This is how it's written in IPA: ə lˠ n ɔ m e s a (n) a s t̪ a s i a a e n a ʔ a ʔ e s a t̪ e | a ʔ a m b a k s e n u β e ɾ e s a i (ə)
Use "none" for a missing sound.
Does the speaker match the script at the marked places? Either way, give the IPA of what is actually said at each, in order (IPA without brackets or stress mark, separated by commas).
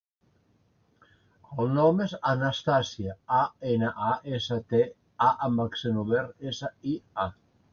n, a